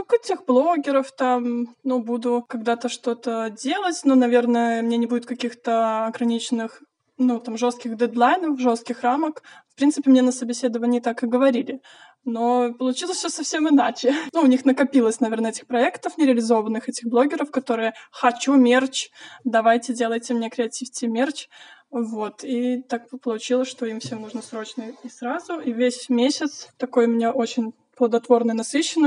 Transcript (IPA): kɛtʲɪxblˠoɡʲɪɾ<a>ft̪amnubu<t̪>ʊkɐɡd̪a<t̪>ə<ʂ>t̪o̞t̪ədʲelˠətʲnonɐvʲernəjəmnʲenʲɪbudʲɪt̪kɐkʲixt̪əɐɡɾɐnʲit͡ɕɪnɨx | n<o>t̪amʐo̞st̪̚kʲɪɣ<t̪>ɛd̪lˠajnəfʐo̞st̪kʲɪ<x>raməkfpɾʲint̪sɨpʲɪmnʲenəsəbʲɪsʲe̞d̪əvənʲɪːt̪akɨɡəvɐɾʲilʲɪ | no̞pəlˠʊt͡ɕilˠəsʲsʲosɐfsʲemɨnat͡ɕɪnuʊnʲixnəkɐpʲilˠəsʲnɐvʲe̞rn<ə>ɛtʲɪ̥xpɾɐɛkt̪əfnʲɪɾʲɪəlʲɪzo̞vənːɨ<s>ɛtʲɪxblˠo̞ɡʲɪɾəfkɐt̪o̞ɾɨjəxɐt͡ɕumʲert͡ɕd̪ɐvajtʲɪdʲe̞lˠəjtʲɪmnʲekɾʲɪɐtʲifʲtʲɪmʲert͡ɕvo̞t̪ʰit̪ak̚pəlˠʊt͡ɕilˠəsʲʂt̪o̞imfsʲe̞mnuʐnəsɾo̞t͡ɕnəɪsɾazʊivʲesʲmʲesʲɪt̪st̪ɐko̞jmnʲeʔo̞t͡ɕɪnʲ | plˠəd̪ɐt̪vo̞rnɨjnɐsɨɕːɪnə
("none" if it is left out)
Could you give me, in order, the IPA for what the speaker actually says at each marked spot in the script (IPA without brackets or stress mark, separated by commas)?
ə, d̪, t̪, ʂ, u, d̪, x, ə, x